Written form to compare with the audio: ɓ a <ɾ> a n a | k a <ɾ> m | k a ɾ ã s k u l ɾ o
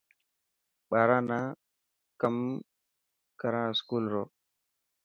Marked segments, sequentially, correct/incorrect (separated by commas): correct, incorrect